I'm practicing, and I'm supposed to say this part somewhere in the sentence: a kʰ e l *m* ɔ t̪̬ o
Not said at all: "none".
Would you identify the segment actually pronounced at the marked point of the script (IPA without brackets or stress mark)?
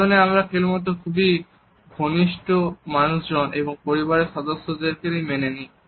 m